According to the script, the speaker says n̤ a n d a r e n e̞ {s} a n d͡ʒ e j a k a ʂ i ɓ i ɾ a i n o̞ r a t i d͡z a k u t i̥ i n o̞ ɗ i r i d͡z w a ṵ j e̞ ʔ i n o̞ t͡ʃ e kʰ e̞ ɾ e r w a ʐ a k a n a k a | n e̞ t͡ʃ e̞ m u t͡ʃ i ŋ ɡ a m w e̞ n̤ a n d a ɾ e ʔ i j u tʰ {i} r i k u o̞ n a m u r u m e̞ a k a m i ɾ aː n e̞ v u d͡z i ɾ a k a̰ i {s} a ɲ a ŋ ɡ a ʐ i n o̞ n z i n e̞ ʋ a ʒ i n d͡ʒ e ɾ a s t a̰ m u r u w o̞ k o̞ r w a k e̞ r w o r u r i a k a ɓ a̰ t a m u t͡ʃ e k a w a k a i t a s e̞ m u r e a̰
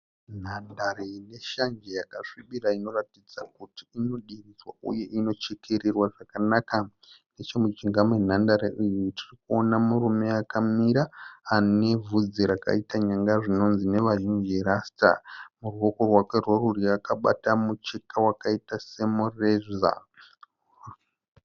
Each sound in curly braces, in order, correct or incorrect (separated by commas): incorrect, correct, incorrect